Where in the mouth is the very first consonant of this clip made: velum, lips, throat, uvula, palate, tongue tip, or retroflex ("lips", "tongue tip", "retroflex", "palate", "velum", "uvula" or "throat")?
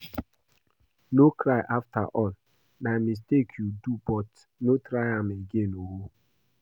tongue tip